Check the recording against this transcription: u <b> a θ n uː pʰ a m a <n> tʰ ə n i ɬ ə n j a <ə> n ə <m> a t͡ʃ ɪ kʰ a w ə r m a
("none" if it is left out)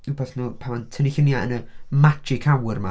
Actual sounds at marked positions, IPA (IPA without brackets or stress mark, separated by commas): b, n, ə, m